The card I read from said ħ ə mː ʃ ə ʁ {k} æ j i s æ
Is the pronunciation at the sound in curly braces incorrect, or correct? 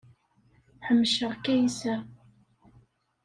correct